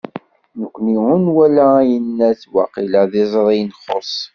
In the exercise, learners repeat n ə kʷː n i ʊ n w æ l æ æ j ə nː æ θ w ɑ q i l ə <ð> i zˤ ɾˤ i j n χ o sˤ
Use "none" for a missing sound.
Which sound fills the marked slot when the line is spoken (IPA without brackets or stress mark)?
ð